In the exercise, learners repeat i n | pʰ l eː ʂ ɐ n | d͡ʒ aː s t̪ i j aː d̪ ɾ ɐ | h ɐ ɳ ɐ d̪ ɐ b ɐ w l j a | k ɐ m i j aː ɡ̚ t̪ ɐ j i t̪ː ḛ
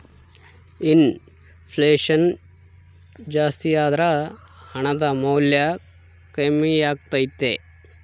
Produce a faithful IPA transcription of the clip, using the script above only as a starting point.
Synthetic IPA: i n | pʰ l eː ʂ ɐ n | d͡ʒ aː s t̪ i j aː d̪ ɾ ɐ | h ɐ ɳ ɐ d̪ ɐ m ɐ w l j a | k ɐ m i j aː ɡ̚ t̪ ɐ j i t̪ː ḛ